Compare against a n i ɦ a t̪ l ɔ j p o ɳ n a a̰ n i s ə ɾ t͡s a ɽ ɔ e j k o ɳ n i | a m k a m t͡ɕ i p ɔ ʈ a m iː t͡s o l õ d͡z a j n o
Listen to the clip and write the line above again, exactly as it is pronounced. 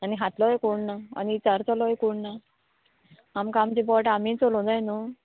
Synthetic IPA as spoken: a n i ɦ a t̪ l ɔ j k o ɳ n a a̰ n i t͡s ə ɾ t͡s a l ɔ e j k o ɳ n a | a m k a m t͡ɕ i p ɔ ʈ a m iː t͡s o l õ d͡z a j n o